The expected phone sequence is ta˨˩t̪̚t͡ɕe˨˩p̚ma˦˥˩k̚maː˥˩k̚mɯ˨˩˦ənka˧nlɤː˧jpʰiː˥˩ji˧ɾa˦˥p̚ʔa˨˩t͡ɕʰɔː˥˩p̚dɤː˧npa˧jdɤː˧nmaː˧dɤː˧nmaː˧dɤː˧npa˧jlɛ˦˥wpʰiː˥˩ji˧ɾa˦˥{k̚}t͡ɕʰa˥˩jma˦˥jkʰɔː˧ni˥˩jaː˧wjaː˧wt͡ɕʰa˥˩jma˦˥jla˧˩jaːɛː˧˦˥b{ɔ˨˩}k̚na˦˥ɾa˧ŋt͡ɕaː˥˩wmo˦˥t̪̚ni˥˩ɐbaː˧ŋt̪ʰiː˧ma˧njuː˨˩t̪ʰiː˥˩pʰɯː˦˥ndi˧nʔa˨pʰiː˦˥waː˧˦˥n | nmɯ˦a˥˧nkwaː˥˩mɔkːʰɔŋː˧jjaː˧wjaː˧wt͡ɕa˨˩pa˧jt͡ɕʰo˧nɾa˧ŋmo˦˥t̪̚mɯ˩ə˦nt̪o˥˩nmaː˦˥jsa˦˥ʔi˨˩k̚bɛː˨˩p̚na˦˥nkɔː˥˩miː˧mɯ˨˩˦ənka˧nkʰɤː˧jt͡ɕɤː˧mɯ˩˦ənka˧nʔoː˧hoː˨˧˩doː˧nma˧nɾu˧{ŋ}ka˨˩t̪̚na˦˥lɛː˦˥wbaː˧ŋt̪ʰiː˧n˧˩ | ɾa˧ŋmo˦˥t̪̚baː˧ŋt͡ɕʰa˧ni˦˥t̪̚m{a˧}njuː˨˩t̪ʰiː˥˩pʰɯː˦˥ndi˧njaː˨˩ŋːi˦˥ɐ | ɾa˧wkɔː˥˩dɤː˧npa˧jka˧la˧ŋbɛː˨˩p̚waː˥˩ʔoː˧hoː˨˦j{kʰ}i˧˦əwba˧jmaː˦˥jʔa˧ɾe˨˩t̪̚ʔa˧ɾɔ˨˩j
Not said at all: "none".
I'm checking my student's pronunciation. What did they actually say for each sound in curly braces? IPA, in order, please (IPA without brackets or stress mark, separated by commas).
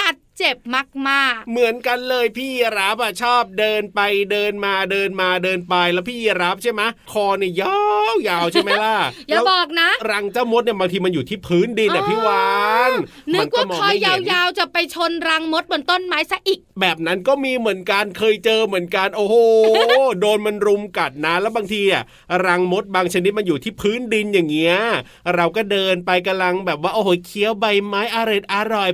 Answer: p̚, ɔː˨˩, m, a˧, kʰ